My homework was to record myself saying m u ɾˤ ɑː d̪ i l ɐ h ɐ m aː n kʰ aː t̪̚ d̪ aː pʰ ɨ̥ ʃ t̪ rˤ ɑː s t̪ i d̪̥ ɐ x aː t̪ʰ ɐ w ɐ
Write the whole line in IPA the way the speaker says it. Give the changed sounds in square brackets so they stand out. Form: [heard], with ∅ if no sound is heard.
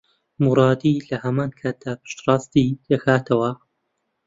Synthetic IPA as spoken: m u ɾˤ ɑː d̪ i l ɐ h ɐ m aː n kʰ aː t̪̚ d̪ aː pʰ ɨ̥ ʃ t̪ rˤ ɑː s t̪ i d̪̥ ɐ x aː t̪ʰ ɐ w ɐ